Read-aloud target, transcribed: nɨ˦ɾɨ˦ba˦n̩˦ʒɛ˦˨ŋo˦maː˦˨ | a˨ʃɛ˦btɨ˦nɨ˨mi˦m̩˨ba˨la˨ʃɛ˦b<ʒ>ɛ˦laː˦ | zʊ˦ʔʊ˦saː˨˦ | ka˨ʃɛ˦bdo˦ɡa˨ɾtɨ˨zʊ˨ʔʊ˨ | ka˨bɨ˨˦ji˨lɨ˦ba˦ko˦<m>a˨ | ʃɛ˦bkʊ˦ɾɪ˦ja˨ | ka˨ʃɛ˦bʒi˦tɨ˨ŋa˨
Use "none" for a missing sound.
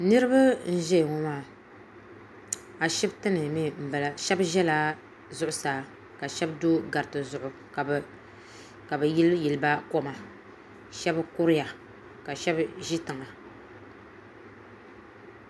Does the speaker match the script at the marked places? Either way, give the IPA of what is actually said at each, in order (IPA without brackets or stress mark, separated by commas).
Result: ʒ, m